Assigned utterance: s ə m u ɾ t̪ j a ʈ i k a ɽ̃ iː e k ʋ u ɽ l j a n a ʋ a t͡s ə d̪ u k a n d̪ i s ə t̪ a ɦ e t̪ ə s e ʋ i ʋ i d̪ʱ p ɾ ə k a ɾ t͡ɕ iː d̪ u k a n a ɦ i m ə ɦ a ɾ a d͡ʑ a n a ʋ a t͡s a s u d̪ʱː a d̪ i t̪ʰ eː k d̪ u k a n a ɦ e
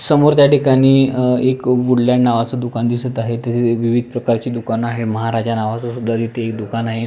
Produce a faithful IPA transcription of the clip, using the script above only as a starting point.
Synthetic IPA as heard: s ə m o ɾ t̪ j a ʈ i k a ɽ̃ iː e k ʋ u ɽ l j a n a ʋ a t͡s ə d̪ u k a n d̪ i s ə t̪ a ɦ e t̪ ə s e ʋ i ʋ i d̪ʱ p ɾ ə k a ɾ t͡ɕ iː d̪ u k a n a ɦ e m ə ɦ a ɾ a d͡ʑ a n a ʋ a t͡s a s u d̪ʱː a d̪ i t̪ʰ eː k d̪ u k a n a ɦ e